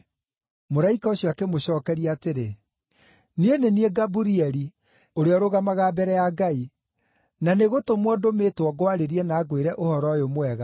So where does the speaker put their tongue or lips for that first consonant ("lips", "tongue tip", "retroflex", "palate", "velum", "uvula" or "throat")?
lips